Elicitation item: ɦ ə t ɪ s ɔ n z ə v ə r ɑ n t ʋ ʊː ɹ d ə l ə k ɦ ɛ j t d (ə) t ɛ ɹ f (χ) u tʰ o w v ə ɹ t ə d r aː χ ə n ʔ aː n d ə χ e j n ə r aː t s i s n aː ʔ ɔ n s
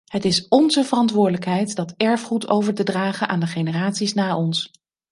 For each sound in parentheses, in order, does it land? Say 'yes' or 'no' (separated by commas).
no, yes